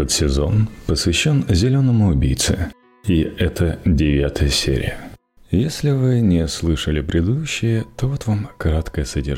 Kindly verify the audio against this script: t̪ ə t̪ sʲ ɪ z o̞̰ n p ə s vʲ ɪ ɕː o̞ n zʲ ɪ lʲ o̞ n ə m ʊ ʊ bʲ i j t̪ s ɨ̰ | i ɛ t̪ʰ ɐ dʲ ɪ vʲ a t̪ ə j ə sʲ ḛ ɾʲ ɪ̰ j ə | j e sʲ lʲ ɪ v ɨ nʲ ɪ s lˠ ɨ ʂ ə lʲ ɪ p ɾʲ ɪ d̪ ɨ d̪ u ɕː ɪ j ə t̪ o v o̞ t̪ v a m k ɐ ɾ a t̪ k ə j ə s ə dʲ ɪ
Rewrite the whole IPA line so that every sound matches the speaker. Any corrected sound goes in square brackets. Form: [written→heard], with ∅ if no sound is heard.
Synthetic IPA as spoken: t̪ ə t̪ sʲ ɪ z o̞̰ n p ə s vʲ ɪ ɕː o̞ n zʲ ɪ lʲ o̞ n ə m ʊ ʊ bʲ i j t̪ s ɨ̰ | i ɛ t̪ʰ [ɐ→ə] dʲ ɪ vʲ a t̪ ə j ə sʲ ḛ ɾʲ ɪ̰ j ə | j e sʲ lʲ ɪ v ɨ nʲ ɪ s lˠ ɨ ʂ ə lʲ ɪ p ɾʲ ɪ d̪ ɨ d̪ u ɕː ɪ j ə t̪ o v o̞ t̪ v a m k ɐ ɾ a t̪ k ə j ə s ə dʲ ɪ